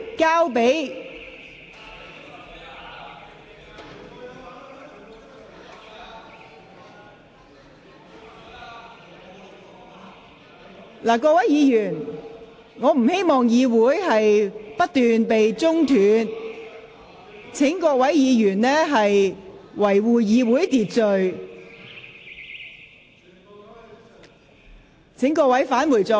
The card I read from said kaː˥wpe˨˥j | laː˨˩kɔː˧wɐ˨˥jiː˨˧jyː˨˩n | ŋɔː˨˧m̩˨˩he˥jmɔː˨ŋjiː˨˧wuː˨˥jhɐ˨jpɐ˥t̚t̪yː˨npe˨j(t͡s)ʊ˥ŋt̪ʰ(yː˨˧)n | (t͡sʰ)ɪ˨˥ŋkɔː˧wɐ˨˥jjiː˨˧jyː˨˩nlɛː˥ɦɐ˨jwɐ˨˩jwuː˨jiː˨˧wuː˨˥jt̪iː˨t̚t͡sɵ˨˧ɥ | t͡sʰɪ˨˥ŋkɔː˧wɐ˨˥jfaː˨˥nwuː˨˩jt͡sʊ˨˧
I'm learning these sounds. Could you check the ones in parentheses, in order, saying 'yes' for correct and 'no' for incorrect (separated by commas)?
yes, yes, yes